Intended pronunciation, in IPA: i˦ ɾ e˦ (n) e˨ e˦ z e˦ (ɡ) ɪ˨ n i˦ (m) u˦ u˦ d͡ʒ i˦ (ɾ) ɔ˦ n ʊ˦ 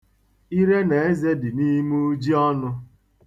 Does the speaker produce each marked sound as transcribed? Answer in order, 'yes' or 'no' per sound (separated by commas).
yes, no, yes, no